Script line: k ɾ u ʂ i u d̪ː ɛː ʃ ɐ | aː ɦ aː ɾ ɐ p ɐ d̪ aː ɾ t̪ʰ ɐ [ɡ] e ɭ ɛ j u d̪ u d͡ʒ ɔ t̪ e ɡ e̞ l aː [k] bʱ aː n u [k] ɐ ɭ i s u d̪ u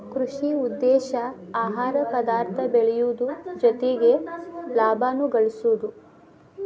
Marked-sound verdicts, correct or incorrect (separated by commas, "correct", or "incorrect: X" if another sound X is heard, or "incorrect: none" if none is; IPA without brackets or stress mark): incorrect: b, incorrect: none, incorrect: ɡ